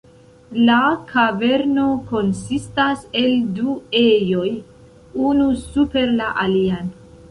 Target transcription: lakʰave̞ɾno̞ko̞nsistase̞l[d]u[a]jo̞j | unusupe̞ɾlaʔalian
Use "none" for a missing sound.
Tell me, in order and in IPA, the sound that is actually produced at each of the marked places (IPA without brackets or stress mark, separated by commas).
d, e